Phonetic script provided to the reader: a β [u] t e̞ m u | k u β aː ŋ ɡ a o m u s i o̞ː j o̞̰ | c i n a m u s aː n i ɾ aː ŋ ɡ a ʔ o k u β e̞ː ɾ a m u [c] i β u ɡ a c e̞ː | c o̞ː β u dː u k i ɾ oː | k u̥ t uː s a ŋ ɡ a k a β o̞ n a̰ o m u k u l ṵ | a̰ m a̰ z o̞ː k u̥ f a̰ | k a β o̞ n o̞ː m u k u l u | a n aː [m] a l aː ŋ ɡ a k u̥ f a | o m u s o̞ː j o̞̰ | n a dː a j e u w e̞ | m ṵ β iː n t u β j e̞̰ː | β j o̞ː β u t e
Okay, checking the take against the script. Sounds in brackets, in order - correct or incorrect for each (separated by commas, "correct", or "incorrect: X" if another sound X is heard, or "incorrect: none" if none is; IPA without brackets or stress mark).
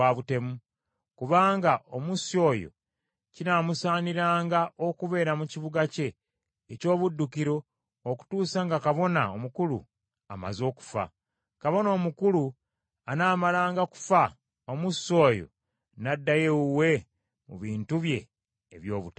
correct, correct, correct